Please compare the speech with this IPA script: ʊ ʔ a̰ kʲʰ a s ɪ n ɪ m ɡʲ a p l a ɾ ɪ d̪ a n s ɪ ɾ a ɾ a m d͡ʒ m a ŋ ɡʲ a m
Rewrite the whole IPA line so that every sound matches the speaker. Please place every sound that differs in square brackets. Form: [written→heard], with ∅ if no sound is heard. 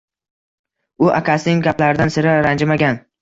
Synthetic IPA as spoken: ʊ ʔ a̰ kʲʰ a s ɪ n ɪ [m→ŋ] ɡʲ a p l a ɾ ɪ d̪ a n s ɪ ɾ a ɾ a [m→n] d͡ʒ m a [ŋ→∅] ɡʲ a [m→n]